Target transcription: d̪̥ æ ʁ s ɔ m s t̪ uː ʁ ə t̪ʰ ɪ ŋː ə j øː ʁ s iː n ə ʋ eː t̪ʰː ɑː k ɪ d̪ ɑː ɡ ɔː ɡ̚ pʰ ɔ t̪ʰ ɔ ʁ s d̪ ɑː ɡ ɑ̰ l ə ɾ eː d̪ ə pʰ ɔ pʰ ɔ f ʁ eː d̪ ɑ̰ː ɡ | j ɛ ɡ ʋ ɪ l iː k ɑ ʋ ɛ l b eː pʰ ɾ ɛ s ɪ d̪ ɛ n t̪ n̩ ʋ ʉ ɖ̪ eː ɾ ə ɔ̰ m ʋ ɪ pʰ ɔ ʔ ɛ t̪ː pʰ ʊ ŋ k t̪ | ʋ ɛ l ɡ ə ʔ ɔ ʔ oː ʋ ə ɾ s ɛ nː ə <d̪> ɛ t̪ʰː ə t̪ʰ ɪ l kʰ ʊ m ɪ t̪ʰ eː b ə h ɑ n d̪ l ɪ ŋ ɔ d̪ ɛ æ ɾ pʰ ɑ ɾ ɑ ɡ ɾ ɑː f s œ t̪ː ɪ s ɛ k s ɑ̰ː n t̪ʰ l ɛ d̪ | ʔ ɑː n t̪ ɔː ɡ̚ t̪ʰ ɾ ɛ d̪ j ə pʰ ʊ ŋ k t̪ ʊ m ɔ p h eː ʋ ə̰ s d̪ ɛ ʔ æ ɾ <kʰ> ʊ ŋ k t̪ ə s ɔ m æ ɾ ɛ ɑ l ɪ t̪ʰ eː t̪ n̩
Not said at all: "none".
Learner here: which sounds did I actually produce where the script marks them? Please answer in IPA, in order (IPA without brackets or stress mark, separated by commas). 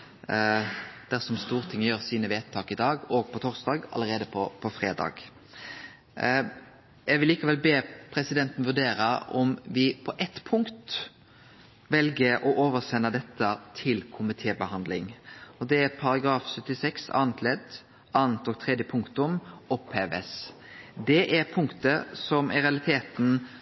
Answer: d̪, pʰ